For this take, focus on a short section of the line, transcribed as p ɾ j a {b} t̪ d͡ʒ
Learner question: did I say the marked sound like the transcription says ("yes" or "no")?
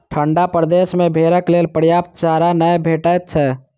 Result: no